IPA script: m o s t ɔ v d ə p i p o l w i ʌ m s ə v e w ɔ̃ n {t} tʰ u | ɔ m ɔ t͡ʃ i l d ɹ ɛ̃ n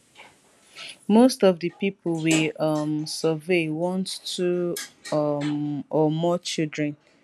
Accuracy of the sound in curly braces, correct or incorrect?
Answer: correct